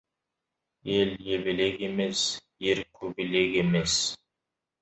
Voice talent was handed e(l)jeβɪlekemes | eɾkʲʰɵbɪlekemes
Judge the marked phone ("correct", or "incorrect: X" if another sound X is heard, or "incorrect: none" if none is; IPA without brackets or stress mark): correct